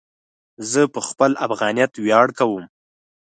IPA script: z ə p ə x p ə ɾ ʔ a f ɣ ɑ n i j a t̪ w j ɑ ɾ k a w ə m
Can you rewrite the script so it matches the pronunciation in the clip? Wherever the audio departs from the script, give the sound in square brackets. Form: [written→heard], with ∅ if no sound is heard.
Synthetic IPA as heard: z ə p ə x p ə [ɾ→l] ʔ a f ɣ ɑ n i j a t̪ w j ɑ [ɾ→ɽ] k a w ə m